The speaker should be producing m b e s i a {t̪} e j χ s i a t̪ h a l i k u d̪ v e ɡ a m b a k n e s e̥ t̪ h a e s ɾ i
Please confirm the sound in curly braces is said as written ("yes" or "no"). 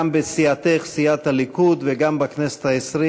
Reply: yes